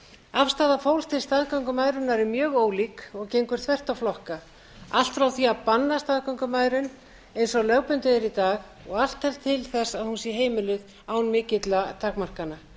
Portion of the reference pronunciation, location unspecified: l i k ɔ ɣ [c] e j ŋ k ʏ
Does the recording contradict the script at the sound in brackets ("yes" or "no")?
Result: no